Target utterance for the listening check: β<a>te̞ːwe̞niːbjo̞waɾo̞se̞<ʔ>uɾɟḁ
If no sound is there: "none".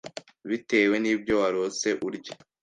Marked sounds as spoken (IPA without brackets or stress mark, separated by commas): i, ʔ